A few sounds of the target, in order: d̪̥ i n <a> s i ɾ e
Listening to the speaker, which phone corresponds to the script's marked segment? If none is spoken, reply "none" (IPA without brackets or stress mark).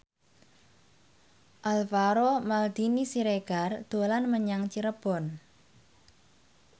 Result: i